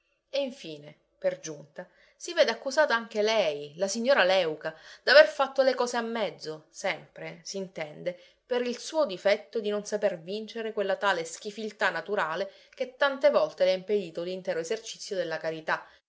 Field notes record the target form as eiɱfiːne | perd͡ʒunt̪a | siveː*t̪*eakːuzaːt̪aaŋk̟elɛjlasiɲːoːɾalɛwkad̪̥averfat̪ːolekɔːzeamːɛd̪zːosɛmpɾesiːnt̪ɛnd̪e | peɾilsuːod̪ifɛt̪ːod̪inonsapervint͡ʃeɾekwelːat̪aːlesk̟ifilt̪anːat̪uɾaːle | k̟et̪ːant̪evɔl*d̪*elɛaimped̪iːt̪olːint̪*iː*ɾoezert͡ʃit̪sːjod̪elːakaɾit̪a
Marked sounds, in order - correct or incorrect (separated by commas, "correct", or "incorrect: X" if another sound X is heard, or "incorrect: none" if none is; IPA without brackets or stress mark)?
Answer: incorrect: d̪, incorrect: t̪, incorrect: ɛː